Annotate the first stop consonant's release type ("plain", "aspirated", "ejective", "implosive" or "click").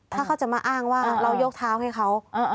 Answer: aspirated